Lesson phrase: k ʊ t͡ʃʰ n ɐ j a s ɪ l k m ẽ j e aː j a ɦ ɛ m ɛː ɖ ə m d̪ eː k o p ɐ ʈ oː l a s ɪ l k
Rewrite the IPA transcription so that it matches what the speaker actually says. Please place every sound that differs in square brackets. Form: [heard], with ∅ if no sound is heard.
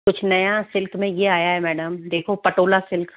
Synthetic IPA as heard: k ʊ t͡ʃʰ n ɐ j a s ɪ l k m ẽ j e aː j a ɦ ɛ m ɛː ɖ ə m d̪ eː [kʰ] o p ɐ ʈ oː l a s ɪ l k